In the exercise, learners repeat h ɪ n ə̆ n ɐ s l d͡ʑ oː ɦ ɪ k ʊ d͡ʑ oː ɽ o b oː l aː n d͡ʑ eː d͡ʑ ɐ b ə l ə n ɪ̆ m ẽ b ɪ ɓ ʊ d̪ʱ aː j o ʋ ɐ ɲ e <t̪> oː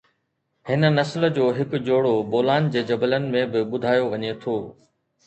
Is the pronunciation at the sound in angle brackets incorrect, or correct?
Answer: incorrect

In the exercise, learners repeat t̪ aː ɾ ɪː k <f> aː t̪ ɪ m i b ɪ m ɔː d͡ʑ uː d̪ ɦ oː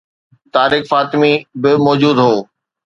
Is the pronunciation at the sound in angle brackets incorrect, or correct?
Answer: correct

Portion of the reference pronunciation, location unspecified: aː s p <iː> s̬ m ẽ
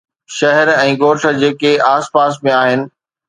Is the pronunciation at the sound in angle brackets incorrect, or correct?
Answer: incorrect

